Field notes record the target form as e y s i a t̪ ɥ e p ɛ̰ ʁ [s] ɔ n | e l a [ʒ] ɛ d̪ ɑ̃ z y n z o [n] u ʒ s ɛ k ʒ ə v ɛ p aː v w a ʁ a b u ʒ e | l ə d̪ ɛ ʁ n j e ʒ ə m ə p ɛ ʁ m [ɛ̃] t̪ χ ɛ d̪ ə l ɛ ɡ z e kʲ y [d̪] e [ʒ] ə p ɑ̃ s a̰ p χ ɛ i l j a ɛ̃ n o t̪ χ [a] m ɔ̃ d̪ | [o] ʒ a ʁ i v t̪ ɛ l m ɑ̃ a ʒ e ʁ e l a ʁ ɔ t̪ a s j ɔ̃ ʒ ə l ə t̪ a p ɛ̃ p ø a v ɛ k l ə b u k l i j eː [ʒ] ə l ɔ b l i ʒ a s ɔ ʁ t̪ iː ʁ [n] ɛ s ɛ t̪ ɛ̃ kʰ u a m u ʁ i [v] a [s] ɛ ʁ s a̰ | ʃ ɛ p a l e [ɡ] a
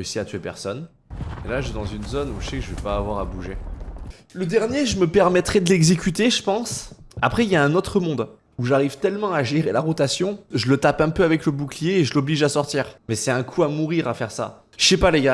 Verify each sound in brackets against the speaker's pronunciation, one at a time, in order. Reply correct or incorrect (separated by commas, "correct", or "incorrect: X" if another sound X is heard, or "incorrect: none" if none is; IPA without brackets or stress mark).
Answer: correct, correct, correct, incorrect: ɛ, incorrect: t̪, correct, incorrect: ə, incorrect: u, correct, incorrect: m, incorrect: ʁ, incorrect: f, correct